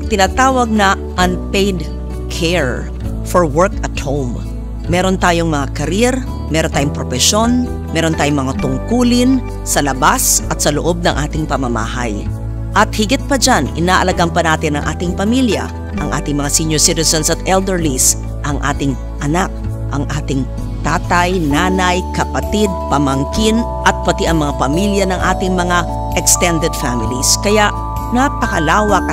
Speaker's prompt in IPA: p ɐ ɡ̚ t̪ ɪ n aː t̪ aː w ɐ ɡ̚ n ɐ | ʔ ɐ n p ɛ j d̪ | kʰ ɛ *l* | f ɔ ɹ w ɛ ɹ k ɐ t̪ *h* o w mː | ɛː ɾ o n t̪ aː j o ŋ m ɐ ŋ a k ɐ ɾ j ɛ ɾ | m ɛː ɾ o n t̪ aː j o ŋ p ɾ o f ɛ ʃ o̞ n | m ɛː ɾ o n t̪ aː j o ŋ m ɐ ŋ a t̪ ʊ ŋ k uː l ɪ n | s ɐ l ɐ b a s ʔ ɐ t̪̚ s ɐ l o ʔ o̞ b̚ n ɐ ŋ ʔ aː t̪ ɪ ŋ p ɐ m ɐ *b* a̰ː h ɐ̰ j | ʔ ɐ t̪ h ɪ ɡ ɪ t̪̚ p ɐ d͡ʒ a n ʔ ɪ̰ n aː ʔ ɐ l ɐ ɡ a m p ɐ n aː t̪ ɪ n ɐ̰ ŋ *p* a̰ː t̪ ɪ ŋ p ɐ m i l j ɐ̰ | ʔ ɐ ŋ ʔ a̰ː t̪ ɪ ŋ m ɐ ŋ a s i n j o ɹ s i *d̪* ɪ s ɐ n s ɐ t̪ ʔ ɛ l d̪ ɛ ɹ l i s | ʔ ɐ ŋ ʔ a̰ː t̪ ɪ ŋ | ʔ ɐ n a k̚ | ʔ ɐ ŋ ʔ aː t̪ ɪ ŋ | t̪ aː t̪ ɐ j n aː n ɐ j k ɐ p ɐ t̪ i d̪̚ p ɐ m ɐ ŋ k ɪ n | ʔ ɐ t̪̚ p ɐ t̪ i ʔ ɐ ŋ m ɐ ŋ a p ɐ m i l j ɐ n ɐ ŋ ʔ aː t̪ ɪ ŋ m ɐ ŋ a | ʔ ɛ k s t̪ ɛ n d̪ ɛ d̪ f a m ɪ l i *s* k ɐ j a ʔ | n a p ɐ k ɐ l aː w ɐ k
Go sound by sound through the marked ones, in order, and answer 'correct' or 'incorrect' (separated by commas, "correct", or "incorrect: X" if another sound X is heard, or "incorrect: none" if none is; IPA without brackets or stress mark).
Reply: incorrect: ɹ, correct, incorrect: m, incorrect: ʔ, incorrect: t̪, correct